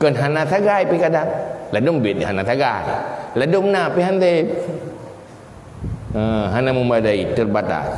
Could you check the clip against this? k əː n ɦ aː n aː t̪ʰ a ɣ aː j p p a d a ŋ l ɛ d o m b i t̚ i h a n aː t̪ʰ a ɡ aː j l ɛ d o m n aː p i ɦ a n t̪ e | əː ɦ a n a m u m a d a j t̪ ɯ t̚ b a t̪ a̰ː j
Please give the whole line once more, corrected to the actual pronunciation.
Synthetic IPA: k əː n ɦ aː n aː t̪ʰ a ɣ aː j p k a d a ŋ l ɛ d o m b i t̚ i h a n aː t̪ʰ a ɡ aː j l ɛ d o m n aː p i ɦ a n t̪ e | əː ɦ a n a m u m a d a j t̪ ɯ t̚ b a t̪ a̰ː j

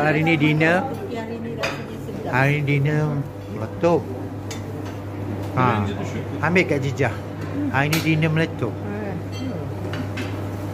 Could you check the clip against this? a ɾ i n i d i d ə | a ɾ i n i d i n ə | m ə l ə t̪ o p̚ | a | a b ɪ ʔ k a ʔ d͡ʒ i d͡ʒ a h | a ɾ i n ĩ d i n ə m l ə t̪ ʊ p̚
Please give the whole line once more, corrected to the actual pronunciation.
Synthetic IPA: a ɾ i n i d i n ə | a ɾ i n i d i n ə | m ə l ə t̪ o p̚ | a | a m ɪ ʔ k a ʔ d͡ʒ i d͡ʒ a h | a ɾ i n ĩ d i n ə m l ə t̪ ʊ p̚

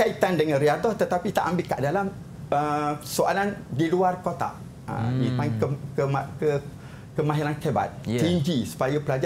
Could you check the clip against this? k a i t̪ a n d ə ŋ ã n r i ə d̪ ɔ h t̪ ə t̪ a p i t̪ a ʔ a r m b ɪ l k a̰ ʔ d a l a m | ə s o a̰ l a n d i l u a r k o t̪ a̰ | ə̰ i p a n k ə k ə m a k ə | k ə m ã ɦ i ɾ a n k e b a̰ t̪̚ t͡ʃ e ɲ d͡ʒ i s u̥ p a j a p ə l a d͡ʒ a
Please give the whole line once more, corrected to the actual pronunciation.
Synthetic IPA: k a i t̪ a n d ə ŋ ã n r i a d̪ ɔ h t̪ ə t̪ a p i t̪ a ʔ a m b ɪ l k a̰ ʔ d a l a m | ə s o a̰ l a n d i l u a r k o t̪ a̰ | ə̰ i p a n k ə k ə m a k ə | k ə m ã ɦ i ɾ a n k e b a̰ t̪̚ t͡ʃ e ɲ d͡ʒ i s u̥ p a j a p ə l a d͡ʒ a

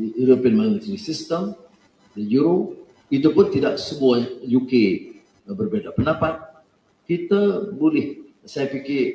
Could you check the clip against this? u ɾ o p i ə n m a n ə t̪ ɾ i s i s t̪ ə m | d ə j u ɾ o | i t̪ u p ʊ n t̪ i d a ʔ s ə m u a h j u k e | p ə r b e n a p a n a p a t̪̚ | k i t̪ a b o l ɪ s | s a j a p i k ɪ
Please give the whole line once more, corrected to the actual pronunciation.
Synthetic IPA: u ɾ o p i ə n m a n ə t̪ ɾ i s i s t̪ ə m | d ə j u ɾ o | i t̪ u p ʊ n t̪ i d a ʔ s ə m u a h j u k e | b ə r b e d a p ə n a p a t̪̚ | k i t̪ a b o l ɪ h | s a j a p i k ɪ

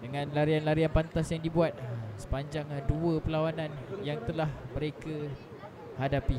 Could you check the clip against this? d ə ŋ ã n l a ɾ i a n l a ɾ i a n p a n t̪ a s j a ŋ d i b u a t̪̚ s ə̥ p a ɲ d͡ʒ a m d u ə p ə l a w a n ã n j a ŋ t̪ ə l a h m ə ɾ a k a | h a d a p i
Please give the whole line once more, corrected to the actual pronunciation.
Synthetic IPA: d ə ŋ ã n l a ɾ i a n l a ɾ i a n p a n t̪ a s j a ŋ d i b u a t̪̚ s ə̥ p a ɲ d͡ʒ a ŋ d u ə p ə l a w a n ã n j a ŋ t̪ ə l a h m ə ɾ e k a | h a d a p i

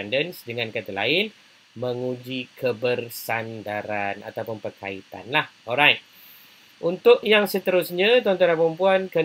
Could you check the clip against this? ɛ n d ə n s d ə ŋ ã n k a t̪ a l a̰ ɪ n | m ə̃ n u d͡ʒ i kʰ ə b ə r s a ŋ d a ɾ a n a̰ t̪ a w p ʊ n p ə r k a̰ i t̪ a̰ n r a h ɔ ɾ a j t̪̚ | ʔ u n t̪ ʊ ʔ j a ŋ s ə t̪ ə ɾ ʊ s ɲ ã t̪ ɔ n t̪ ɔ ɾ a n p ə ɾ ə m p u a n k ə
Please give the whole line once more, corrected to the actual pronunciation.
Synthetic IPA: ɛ n d ə n s d ə ŋ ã n k a t̪ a l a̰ ɪ n | m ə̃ ŋ u d͡ʒ i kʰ ə b ə r s a n d a ɾ a n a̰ t̪ a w p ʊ n p ə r k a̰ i t̪ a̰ n l a h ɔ ɾ a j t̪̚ | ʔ u n t̪ ʊ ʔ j a ŋ s ə t̪ ə ɾ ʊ s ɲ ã t̪ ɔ n t̪ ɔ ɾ a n p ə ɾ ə m p u a n k ə

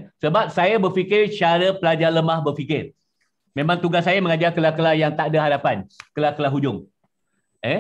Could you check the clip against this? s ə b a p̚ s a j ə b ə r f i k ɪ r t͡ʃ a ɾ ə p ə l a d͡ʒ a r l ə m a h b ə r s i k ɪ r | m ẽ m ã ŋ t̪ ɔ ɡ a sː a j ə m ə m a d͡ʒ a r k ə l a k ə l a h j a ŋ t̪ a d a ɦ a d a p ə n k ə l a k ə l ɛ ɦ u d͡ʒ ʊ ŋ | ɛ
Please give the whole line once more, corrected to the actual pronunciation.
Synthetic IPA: s ə b a p̚ s a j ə b ə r f i k ɪ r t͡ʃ a ɾ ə p ə l a d͡ʒ a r l ə m a h b ə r f i k ɪ r | m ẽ m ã ŋ t̪ u ɡ a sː a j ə m ə ŋ a d͡ʒ a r k ə l a k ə l a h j a ŋ t̪ a d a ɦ a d a p a n k ə l a k ə l a ɦ u d͡ʒ ʊ ŋ | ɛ

